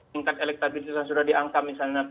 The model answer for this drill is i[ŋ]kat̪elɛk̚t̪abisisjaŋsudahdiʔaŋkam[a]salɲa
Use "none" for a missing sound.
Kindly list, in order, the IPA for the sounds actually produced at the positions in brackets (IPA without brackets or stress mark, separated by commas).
ŋ, i